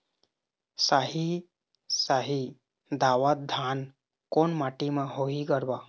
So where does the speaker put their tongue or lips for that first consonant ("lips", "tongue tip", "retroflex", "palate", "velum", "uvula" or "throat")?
tongue tip